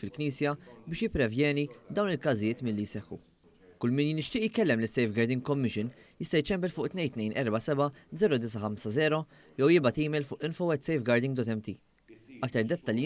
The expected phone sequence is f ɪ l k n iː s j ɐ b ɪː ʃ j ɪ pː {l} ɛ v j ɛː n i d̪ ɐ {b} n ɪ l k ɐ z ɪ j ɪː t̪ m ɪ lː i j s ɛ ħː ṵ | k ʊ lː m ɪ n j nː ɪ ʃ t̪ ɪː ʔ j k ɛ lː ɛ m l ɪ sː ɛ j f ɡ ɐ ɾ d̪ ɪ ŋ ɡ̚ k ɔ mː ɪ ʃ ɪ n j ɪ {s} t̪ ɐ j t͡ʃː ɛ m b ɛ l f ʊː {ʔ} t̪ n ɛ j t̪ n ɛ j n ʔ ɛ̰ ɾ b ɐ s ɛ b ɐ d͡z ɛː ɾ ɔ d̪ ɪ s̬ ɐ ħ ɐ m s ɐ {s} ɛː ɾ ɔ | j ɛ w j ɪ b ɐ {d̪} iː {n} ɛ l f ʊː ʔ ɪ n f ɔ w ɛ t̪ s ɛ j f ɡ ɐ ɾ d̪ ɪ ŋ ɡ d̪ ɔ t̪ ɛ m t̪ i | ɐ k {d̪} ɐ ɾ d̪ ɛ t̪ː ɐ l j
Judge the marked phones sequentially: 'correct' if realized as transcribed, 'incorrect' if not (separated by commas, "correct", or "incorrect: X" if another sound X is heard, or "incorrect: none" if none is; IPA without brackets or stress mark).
incorrect: ɾ, incorrect: w, correct, correct, incorrect: z, incorrect: t̪, incorrect: m, incorrect: t̪